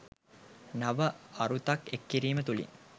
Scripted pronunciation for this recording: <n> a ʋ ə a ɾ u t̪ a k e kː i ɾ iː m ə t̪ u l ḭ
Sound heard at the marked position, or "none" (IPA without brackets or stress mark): n